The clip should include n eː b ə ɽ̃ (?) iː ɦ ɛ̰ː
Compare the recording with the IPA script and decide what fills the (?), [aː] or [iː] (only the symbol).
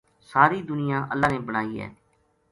aː